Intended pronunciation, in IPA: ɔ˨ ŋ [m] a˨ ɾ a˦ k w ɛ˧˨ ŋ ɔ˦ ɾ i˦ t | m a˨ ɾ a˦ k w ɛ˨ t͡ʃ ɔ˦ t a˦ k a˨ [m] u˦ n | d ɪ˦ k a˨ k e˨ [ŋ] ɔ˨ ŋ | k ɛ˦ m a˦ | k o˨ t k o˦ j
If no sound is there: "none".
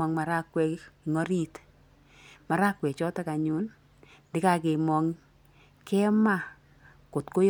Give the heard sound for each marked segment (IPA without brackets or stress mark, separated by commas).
m, ɲ, m